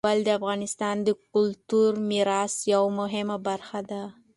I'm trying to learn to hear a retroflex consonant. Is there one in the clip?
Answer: no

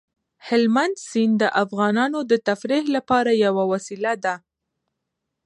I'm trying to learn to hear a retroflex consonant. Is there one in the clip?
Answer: no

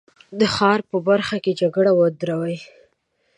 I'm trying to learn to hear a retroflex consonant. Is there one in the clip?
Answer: yes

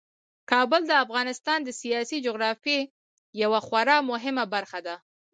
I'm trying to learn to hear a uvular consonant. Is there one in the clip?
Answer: no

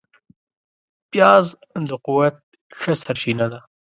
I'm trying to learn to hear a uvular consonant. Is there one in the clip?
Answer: yes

